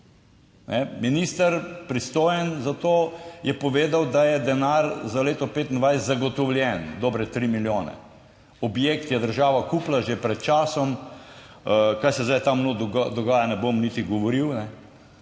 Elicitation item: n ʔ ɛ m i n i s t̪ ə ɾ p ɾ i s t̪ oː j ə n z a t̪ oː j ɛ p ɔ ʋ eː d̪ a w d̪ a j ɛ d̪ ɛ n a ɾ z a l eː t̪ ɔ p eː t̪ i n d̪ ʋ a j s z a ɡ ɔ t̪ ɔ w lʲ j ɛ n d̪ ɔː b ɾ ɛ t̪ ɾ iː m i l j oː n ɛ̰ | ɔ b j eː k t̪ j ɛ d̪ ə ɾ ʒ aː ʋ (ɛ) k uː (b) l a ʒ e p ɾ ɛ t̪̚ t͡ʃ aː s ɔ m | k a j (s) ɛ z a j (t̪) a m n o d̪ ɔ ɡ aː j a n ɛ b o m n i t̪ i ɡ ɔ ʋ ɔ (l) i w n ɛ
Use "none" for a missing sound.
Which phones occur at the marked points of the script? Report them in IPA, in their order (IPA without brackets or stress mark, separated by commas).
a, p, s, t̪, ɾ